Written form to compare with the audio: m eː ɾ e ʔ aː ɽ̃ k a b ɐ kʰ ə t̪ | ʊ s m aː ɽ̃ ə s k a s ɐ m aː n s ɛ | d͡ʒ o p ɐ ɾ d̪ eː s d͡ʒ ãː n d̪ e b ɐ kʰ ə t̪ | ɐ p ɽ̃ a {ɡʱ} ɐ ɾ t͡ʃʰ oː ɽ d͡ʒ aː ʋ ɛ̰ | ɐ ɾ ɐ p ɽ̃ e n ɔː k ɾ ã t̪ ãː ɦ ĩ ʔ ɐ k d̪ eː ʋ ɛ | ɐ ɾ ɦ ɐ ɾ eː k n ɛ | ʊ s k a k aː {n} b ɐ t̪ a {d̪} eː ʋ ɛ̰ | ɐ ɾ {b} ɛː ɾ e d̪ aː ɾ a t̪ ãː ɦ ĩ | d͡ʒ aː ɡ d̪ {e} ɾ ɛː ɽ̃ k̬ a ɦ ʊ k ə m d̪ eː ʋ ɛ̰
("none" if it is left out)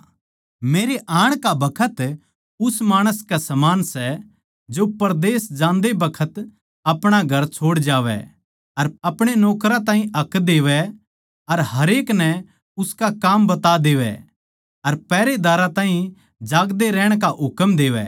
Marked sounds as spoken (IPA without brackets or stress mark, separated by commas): ɡʱ, m, d̪, p, e